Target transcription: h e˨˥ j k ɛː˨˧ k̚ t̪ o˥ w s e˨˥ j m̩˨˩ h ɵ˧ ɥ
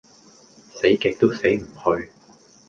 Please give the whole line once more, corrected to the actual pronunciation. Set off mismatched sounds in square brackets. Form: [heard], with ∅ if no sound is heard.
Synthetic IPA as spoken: [s] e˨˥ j k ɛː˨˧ k̚ t̪ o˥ w s e˨˥ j m̩˨˩ h ɵ˧ ɥ